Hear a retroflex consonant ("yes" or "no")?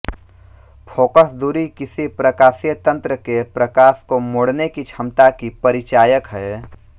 yes